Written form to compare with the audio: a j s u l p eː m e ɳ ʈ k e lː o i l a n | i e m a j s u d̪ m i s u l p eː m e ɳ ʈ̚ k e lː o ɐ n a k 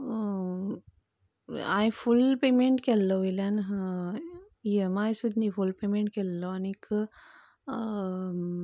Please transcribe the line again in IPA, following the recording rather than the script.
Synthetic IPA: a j f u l p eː m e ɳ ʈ k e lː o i l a n | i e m a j s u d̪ n i f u l p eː m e ɳ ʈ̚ k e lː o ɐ n i k